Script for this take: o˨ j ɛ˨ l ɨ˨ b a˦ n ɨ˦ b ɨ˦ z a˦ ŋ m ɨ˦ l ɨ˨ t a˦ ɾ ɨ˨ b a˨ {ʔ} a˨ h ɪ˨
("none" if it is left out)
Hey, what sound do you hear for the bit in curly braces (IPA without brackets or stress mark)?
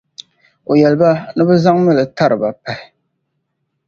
p